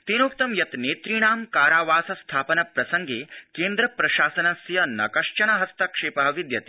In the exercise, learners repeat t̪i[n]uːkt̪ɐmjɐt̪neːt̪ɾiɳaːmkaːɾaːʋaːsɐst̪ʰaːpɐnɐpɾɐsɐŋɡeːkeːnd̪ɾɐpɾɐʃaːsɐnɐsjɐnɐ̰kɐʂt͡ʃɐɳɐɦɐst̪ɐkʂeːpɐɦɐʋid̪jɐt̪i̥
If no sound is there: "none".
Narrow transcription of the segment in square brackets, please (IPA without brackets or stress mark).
n